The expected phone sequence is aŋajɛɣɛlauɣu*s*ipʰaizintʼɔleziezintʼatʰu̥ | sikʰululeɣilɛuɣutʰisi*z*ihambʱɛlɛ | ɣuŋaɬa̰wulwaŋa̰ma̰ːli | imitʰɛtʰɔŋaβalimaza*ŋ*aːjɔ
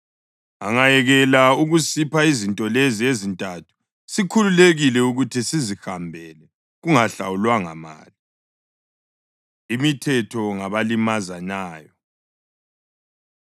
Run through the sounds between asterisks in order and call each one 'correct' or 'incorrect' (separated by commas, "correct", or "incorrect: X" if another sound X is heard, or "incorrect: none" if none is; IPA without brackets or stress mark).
correct, correct, incorrect: n